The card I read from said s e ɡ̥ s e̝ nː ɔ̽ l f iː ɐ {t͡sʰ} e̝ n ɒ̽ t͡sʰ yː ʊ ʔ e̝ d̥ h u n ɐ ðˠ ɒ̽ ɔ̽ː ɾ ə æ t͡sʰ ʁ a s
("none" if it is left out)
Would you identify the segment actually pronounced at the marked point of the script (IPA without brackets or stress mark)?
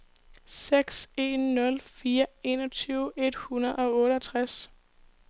none